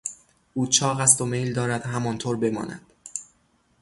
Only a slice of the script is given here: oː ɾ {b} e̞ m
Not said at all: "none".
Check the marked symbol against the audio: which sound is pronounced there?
b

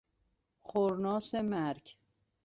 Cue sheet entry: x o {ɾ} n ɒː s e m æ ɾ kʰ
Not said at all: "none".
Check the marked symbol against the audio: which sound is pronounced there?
ɾ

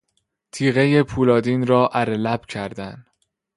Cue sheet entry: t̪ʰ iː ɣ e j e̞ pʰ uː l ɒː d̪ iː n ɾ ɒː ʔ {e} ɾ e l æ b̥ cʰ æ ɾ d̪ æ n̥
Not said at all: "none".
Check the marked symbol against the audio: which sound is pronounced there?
æ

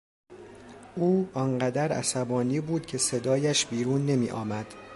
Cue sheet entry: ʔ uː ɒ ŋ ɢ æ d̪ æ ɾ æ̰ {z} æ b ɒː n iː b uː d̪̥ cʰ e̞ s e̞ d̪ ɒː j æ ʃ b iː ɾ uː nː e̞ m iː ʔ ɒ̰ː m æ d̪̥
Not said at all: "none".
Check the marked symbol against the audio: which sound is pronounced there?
s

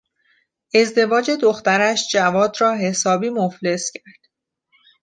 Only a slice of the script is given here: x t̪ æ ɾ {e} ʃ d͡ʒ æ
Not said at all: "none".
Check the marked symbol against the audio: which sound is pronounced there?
æ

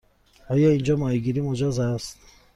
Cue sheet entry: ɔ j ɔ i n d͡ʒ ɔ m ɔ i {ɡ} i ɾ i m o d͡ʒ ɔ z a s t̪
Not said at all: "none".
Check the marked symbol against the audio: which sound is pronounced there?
ɡ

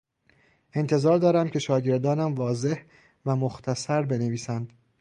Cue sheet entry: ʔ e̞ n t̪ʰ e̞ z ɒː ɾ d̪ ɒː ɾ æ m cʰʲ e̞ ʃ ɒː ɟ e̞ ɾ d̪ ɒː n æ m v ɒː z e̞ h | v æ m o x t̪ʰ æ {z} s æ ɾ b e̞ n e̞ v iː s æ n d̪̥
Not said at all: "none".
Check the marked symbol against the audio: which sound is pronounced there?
none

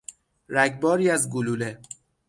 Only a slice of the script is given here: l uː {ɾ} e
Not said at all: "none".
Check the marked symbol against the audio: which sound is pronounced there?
l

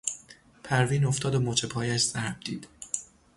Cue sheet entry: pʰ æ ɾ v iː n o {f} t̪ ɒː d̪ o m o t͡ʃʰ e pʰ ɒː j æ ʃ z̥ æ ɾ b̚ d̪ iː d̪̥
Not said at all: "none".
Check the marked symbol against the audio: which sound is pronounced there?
f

